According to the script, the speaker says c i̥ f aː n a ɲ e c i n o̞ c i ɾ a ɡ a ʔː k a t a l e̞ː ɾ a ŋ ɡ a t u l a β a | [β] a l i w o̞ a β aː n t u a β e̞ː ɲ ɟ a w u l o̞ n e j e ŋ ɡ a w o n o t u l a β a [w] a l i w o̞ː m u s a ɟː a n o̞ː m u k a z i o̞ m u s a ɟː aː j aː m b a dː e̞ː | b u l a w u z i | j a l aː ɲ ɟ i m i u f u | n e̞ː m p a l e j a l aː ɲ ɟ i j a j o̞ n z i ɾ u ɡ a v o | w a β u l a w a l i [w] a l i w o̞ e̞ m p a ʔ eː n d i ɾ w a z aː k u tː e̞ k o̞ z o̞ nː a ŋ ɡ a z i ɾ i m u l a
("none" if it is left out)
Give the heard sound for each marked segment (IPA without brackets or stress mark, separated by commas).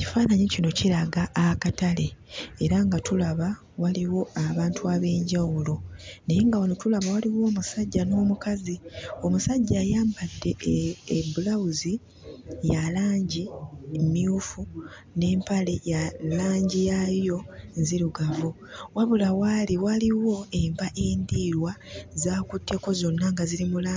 w, w, w